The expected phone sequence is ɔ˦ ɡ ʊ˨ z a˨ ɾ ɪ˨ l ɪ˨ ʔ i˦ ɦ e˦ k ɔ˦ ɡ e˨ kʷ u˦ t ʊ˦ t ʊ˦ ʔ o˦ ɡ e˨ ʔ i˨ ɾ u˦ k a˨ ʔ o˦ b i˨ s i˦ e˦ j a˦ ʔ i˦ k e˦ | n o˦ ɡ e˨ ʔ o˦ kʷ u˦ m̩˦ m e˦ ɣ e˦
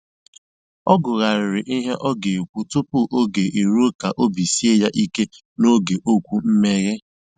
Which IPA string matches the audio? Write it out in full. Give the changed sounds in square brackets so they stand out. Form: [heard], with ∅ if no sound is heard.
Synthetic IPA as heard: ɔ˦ ɡ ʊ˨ [ɣ] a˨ ɾ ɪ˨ [ɾ] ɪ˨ ʔ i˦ ɦ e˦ [ʔ] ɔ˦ ɡ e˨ kʷ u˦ t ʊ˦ [p] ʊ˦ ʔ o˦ ɡ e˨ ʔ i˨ ɾ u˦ k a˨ ʔ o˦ b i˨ s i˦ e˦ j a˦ ʔ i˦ k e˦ | n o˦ ɡ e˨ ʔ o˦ kʷ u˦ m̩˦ m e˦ ɣ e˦